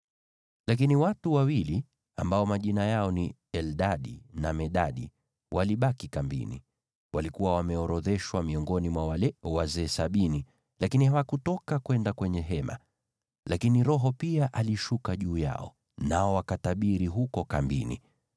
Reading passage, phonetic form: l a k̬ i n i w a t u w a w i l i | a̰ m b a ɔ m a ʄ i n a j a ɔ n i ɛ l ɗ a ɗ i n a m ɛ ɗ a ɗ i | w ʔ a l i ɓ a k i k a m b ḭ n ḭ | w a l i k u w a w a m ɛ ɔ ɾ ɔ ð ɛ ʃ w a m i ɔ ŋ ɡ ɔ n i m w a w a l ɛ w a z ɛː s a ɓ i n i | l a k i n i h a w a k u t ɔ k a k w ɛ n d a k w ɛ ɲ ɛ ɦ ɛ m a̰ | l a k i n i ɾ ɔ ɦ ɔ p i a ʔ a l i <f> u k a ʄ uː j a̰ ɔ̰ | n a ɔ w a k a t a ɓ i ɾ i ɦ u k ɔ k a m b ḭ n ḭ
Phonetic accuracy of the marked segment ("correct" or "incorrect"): incorrect